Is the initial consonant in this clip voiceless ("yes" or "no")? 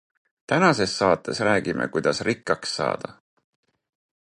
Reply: yes